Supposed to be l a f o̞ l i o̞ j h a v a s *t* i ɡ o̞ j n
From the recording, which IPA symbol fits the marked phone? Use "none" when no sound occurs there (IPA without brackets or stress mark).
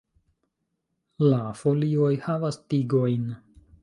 t